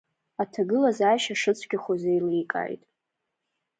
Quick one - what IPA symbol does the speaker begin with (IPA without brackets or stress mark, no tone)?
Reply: a